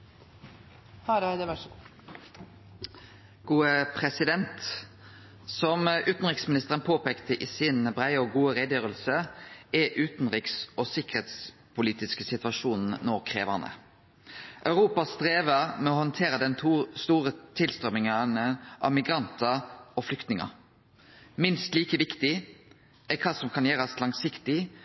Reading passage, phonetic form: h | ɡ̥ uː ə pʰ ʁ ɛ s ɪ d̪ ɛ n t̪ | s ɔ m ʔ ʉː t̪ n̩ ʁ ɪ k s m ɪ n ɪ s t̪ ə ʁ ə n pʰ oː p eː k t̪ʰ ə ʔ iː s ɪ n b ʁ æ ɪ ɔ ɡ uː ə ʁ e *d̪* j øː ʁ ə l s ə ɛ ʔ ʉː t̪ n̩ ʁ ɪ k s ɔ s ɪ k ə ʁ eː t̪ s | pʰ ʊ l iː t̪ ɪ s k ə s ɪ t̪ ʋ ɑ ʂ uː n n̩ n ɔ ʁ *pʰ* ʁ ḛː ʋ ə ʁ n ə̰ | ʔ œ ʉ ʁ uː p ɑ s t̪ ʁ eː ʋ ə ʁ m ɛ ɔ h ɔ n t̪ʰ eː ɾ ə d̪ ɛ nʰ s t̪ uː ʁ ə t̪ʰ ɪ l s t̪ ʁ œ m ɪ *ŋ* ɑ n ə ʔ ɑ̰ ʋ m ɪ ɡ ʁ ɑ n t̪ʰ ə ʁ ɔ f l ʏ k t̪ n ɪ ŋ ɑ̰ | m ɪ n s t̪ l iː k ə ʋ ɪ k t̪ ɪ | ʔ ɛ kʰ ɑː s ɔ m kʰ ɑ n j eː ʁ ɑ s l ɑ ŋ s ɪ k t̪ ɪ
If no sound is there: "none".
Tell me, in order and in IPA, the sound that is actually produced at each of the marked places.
d̪, kʰ, ŋ

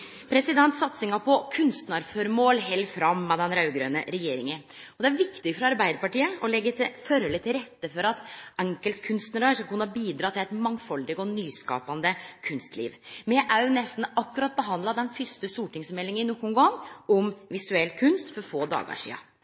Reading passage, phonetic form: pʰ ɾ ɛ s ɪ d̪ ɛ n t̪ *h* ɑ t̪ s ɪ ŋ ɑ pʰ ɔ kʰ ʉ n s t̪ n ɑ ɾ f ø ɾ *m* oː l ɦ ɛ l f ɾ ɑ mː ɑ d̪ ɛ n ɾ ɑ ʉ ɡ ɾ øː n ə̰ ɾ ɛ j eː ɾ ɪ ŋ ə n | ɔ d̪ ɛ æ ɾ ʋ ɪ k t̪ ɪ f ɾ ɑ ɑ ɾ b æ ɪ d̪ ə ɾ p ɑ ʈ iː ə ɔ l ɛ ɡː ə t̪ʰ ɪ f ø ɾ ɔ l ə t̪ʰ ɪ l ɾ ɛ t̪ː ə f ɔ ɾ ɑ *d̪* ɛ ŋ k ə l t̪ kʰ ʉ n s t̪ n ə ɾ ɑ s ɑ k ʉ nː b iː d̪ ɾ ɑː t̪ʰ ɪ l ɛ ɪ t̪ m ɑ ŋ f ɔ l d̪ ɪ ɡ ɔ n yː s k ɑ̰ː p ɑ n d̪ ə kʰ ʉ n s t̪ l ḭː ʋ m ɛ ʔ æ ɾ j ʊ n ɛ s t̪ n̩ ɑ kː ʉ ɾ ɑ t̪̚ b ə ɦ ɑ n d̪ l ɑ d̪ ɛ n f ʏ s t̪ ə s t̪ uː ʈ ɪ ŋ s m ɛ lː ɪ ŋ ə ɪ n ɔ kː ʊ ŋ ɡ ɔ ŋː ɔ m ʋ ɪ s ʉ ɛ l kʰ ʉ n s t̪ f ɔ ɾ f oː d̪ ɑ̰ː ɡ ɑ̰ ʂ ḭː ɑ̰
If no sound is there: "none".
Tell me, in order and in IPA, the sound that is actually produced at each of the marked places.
s, m, t̪

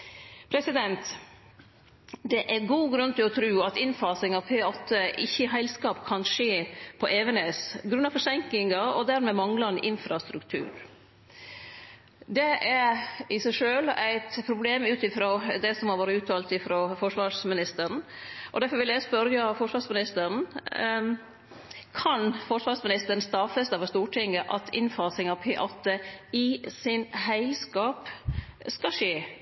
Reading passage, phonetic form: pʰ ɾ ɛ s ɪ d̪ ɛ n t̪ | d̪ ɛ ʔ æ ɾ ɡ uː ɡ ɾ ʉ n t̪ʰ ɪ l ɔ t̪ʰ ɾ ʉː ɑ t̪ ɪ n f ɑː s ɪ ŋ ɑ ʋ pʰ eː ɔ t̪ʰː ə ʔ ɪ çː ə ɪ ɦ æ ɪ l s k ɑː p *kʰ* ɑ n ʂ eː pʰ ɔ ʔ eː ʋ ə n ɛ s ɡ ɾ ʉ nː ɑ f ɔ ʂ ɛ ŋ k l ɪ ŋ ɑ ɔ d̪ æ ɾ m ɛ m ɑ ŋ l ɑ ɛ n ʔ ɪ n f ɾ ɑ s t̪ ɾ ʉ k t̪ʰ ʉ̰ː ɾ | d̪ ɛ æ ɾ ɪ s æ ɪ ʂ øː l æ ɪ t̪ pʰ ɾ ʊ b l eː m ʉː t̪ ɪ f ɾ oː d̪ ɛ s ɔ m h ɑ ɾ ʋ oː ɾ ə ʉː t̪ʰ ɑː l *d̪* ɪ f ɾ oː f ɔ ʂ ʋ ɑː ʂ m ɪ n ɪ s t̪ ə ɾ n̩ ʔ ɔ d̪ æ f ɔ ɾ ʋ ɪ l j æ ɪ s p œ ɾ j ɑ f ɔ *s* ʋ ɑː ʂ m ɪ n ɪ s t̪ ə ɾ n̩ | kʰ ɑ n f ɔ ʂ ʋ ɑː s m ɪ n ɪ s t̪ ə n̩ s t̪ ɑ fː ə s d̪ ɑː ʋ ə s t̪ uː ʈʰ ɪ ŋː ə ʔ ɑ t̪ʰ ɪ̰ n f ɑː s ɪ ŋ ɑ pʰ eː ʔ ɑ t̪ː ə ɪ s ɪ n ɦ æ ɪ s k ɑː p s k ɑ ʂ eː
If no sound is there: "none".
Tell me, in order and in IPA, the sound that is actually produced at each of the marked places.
kʰ, t̪, ʂ

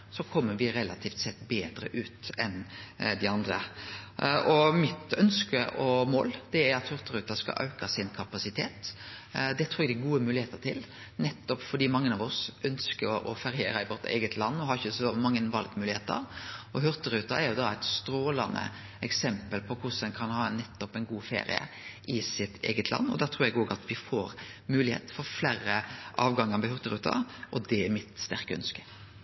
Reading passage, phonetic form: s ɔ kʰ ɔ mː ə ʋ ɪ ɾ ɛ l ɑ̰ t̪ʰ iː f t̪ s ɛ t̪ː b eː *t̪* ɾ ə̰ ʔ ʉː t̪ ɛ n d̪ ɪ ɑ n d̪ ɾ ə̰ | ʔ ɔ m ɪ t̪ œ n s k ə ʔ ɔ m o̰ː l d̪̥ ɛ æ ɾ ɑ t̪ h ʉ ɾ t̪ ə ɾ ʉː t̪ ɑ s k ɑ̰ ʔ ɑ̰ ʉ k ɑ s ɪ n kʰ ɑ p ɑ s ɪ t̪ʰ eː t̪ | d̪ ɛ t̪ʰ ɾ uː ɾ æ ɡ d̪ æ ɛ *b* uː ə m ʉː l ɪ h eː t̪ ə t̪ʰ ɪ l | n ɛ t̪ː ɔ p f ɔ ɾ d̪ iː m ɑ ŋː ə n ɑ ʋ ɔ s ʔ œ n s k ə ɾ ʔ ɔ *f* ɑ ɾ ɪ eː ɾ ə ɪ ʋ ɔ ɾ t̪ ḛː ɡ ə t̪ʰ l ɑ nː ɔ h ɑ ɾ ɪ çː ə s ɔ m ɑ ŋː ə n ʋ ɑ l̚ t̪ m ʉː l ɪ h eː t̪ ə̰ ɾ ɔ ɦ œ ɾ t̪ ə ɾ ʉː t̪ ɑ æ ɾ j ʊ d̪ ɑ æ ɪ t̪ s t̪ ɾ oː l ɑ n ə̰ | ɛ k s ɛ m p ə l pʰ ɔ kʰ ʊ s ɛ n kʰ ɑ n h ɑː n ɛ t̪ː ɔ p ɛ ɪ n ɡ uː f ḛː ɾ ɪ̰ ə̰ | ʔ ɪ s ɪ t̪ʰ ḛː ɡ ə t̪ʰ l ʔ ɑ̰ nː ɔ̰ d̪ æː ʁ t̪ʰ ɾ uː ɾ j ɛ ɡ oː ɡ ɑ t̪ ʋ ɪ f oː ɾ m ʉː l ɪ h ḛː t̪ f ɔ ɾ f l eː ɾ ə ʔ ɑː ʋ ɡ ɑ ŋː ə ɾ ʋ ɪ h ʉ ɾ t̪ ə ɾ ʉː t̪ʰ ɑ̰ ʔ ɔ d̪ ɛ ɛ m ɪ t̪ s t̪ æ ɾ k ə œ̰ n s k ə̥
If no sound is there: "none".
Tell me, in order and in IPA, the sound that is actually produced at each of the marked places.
d̪, ɡ, f

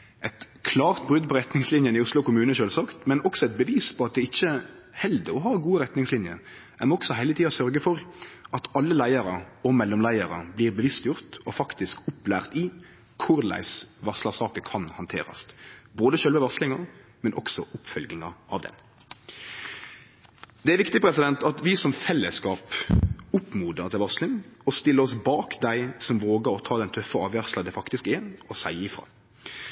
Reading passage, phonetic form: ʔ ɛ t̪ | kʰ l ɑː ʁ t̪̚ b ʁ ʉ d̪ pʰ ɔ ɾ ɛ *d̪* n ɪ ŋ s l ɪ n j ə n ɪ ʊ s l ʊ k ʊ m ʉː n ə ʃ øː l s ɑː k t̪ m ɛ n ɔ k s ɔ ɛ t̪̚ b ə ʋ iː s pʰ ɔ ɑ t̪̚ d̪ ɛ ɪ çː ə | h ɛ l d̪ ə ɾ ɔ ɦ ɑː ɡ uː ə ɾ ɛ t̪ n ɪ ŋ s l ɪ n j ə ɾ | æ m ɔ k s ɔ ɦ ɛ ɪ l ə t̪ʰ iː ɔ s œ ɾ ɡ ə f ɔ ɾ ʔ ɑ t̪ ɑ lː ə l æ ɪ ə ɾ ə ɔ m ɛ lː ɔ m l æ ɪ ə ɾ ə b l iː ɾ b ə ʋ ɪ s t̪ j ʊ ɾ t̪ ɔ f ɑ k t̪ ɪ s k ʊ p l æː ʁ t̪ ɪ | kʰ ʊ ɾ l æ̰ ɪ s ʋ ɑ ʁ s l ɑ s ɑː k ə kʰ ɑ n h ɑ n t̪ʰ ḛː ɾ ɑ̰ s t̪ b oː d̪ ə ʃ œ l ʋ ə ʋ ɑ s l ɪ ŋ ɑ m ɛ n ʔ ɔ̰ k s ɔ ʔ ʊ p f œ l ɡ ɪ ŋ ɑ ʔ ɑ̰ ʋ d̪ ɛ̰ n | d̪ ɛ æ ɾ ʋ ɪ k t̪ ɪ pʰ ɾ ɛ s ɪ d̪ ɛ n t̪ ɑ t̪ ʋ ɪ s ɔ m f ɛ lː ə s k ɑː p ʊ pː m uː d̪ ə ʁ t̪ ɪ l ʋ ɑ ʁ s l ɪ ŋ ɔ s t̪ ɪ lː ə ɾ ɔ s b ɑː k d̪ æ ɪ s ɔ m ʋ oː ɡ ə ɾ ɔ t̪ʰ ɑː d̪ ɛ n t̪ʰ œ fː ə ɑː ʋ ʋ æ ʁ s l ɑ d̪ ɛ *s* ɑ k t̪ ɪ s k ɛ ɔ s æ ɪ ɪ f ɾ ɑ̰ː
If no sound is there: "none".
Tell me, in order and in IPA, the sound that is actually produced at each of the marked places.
t̪, f

